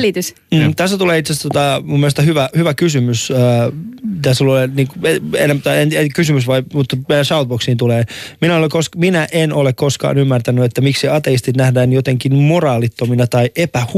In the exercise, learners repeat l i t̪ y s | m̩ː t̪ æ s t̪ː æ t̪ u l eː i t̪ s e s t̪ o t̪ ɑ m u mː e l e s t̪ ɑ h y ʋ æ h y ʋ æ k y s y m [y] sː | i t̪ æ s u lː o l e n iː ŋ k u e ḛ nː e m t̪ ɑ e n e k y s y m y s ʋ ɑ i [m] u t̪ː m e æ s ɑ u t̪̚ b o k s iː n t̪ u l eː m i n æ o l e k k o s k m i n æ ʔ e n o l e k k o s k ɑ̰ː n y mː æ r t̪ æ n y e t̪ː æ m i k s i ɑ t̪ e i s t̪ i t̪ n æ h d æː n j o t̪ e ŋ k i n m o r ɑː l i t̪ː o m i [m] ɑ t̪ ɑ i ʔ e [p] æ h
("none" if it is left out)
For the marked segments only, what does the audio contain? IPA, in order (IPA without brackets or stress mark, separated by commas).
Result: y, m, n, p